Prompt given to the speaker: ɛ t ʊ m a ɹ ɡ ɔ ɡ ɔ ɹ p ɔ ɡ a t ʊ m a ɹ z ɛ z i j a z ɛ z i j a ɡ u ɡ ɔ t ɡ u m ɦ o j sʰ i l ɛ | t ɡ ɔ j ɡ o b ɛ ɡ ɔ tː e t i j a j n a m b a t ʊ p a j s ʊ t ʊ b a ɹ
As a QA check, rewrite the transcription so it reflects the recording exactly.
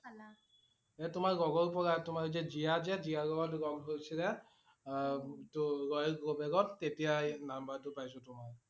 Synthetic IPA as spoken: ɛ t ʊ m a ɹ ɡ ɔ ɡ ɔ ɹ p ɔ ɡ a t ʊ m a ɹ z ɛ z i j a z ɛ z i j a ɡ ɔ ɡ ɔ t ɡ ɔ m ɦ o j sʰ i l ɛ | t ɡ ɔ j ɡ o b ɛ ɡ ɔ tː e t i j a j n a m b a t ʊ p a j s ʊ t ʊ m a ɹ